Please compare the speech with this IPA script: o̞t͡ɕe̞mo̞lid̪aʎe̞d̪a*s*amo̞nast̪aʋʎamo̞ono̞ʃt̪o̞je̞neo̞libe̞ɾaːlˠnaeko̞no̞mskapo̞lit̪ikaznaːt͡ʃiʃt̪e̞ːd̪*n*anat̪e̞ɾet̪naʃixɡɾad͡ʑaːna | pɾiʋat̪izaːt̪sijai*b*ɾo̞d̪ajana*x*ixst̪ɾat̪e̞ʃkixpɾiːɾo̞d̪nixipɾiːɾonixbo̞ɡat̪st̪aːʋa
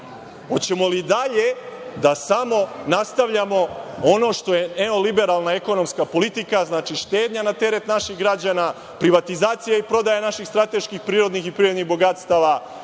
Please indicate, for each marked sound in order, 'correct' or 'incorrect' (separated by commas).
correct, incorrect, incorrect, incorrect